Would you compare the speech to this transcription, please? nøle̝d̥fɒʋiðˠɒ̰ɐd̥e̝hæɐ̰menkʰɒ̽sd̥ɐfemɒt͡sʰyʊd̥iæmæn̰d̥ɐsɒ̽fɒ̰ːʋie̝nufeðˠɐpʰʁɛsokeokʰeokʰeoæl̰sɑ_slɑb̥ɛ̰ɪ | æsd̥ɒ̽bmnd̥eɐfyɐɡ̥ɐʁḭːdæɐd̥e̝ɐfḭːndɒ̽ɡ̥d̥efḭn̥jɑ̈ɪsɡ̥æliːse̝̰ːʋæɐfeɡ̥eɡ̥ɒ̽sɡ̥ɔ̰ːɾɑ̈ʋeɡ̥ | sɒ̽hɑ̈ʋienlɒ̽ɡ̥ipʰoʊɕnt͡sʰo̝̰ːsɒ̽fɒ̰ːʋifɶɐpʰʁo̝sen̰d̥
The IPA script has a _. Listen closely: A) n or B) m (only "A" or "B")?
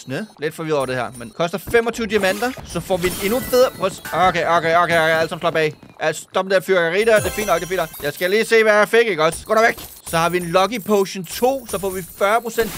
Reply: B